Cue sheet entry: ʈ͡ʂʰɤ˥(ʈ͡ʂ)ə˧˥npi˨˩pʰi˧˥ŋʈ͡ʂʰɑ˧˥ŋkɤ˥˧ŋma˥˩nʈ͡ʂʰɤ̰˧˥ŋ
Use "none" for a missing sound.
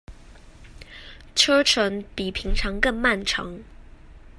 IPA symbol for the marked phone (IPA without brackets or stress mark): ʈ͡ʂʰ